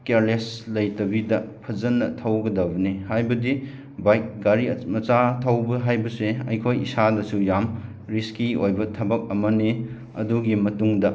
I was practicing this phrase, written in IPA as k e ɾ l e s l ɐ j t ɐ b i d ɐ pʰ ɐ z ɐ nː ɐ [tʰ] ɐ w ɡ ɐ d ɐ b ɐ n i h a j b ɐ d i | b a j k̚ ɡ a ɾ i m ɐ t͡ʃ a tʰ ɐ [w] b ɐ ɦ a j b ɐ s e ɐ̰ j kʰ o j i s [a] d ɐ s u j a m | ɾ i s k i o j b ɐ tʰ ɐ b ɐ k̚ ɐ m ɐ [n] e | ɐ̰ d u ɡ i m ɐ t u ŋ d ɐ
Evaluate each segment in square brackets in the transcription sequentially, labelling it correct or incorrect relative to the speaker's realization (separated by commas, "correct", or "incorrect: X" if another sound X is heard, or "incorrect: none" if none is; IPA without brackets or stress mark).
correct, correct, correct, correct